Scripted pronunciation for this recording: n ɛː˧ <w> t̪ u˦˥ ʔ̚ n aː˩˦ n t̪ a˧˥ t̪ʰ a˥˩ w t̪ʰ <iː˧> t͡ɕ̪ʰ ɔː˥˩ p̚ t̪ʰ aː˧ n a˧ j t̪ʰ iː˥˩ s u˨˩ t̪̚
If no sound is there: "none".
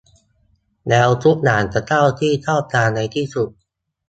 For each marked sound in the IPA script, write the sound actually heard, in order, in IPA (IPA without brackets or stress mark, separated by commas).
w, iː˥˩